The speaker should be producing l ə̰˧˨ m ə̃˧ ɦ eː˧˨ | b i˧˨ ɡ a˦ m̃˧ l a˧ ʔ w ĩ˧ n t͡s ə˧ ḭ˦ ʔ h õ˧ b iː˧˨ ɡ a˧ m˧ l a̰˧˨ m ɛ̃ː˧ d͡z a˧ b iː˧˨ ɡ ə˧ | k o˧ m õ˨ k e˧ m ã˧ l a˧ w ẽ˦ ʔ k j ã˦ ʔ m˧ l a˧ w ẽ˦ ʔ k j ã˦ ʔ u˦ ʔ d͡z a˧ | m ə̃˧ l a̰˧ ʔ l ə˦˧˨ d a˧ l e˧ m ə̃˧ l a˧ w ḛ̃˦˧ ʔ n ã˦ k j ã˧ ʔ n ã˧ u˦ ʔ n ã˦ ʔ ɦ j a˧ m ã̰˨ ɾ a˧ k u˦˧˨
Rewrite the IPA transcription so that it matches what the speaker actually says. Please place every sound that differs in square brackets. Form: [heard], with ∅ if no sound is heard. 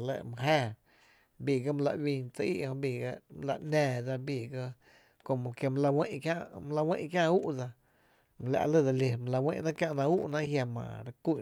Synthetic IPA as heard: l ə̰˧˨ m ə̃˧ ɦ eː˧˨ | b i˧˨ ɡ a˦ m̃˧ l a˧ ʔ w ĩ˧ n t͡s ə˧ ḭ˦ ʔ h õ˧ b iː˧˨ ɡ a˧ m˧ l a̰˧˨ [n] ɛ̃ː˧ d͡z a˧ b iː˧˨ ɡ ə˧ | k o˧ m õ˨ k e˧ m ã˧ l a˧ w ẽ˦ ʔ k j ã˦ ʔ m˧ l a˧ w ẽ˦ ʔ k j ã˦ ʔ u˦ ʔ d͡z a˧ | m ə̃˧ l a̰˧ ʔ l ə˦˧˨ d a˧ l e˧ m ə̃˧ l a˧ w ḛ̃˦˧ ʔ n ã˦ k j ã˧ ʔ n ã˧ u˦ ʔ n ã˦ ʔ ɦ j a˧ m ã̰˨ ɾ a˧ k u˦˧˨

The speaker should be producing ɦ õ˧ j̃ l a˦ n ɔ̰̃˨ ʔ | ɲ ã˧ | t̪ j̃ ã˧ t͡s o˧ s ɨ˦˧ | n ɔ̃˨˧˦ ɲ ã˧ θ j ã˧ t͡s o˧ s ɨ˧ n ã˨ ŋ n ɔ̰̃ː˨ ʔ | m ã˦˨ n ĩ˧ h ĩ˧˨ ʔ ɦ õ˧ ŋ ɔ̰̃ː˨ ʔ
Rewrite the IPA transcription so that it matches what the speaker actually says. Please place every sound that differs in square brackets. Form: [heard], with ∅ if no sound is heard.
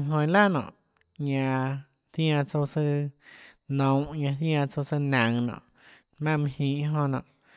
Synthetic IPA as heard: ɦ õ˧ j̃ l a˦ n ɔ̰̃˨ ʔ | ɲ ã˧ | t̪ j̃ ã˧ t͡s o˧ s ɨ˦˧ | n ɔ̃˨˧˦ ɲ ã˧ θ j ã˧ t͡s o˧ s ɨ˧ n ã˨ ŋ n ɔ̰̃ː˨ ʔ | m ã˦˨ [m] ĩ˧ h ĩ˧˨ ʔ ɦ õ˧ [n] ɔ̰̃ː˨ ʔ

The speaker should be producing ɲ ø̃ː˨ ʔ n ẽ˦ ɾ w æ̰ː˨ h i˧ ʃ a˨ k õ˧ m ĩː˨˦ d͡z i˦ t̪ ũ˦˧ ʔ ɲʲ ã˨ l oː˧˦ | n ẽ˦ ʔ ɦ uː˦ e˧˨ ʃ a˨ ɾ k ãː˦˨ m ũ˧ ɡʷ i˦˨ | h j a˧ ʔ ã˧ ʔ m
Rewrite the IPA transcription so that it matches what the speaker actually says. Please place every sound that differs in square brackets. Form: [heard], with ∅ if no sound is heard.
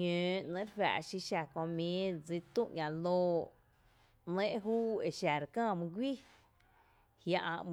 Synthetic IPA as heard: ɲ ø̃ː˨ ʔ n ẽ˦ ɾ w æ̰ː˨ [ʃ] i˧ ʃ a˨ k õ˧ m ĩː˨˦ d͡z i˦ t̪ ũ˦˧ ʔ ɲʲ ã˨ l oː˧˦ | n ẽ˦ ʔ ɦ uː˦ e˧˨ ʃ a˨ ɾ k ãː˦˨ m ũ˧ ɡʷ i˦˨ | h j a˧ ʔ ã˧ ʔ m

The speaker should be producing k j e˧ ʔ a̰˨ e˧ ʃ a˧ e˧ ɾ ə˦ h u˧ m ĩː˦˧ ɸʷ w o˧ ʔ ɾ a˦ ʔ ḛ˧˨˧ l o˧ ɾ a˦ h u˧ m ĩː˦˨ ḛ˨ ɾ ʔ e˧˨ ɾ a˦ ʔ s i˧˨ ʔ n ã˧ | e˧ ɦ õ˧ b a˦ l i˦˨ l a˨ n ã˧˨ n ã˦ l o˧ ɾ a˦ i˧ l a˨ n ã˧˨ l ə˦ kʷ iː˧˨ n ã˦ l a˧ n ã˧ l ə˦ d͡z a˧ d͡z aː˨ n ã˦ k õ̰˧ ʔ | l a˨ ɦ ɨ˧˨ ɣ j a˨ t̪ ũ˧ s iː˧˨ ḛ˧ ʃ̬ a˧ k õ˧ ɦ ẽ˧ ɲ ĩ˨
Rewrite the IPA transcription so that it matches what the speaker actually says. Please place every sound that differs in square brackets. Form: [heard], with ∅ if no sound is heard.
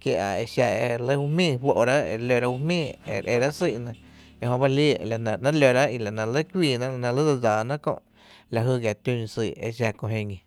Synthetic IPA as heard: k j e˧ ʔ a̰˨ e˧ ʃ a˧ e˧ [l] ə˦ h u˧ m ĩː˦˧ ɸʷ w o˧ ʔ ɾ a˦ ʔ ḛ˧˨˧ l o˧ ɾ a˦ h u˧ m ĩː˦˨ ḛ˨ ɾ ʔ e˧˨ ɾ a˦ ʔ s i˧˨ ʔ n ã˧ | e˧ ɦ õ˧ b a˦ l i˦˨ l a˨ n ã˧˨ n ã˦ l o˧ ɾ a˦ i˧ l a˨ n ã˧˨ l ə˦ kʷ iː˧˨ n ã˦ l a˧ n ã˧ l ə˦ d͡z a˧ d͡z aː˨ n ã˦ k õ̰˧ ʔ | l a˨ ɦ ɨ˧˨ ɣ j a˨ t̪ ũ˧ s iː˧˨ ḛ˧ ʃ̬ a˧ k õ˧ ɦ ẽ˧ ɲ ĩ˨

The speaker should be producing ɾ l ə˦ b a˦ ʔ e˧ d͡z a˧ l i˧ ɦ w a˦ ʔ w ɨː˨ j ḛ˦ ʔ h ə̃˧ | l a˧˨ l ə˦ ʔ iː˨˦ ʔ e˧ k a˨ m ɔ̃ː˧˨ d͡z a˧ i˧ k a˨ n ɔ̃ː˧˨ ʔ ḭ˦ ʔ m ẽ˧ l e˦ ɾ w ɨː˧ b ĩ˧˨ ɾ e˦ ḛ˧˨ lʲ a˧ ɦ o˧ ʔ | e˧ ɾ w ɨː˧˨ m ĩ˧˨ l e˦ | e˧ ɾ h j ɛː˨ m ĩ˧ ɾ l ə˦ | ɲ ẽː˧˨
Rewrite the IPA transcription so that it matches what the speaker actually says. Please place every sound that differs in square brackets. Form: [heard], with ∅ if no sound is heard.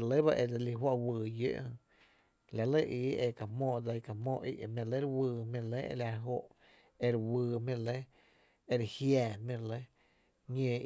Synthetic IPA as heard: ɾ l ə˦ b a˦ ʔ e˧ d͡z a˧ l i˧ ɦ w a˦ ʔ w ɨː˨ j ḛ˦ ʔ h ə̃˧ | l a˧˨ l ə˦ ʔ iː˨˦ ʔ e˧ k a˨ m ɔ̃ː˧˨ d͡z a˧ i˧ k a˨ [m] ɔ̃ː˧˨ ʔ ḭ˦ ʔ m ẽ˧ l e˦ ɾ w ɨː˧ [m] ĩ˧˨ [l] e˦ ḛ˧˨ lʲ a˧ ɦ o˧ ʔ | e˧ ɾ w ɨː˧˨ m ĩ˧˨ l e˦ | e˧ ɾ h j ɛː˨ m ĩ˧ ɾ l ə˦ | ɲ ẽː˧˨

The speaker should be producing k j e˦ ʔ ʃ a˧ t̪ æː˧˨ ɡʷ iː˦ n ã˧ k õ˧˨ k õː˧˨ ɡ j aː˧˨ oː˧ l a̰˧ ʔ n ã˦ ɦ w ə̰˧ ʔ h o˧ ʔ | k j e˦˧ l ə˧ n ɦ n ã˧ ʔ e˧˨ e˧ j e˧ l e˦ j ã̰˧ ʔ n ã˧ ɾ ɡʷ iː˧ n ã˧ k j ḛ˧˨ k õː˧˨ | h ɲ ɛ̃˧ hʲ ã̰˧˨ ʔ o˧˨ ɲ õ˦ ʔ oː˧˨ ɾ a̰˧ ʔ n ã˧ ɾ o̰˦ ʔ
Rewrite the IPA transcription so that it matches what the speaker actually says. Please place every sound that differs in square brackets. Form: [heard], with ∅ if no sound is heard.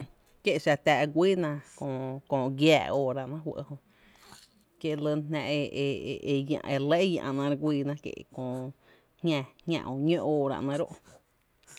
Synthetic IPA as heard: k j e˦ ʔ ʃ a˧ t̪ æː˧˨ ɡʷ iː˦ n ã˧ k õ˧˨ k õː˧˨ ɡ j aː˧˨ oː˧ [ɾ] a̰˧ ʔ n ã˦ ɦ w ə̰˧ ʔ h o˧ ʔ | k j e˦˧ l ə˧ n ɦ n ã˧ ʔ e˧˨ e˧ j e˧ l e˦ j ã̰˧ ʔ n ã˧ ɾ ɡʷ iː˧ n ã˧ k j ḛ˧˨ k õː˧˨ | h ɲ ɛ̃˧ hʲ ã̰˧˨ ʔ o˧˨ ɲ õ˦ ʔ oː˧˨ ɾ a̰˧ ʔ n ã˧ ɾ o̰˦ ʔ

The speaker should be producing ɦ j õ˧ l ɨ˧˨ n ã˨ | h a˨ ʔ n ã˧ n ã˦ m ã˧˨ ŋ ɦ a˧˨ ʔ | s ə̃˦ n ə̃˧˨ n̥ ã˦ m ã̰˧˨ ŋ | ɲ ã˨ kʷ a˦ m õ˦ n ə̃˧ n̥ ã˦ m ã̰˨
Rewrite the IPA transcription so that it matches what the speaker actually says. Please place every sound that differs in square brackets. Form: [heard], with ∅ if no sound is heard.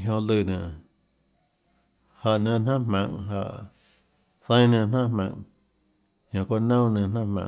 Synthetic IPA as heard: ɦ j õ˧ l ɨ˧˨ n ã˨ | h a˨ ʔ n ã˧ n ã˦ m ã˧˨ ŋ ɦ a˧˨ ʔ | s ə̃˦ n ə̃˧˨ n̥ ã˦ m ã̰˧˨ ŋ | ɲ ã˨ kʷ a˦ [n] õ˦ n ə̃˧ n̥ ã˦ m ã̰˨

